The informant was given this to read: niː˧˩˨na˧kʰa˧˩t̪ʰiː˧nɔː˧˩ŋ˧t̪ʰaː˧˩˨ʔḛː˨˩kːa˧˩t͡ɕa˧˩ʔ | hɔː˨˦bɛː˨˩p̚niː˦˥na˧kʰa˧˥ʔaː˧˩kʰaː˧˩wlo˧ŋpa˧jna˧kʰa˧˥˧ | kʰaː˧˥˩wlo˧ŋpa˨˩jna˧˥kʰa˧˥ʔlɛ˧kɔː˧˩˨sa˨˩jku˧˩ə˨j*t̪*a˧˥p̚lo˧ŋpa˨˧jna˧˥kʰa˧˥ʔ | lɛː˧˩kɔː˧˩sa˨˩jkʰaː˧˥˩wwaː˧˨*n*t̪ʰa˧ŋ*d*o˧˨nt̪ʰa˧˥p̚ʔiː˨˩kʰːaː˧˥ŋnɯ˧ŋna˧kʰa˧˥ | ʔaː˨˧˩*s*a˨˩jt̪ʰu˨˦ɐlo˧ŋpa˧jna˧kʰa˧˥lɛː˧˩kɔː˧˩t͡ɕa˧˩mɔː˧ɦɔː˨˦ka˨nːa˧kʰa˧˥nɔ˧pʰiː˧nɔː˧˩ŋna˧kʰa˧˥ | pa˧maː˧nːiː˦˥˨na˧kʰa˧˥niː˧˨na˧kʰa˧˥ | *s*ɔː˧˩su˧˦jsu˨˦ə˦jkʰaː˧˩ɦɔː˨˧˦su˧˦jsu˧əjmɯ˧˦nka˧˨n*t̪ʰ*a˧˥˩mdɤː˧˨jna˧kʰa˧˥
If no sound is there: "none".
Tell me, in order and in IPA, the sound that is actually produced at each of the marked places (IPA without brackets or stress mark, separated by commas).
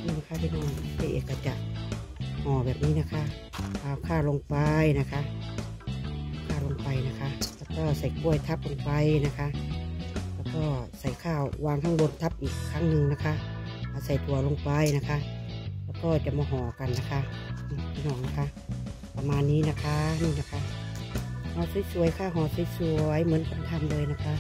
t̪ʰ, ŋ, b, s, h, t̪ʰ